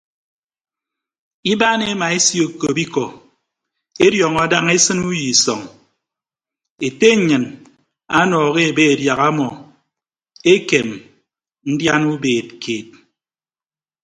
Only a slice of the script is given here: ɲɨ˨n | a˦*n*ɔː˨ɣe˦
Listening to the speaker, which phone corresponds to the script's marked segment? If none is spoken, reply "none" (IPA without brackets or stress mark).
n